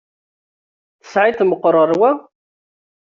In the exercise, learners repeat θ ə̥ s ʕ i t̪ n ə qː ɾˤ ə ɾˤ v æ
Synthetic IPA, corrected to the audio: θ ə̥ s ʕ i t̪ m ə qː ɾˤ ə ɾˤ w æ